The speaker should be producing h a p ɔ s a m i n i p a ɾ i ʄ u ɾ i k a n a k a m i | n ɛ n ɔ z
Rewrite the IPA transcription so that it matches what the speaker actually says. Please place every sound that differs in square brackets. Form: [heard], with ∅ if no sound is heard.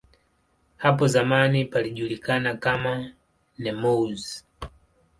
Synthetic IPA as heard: h a p ɔ [z] a m [a] n i p a [l] i ʄ u [l] i k a n a k a m [a] | n ɛ [m] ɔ z